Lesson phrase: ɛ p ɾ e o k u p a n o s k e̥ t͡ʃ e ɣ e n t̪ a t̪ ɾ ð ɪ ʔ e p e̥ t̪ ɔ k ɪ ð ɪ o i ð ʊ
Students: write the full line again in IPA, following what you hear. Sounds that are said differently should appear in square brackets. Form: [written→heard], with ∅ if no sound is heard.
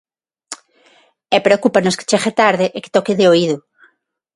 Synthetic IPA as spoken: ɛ p ɾ e o k u p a n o s k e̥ t͡ʃ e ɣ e [n→∅] t̪ a [t̪→∅] ɾ ð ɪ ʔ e [p→k] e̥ t̪ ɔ k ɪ ð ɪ o i ð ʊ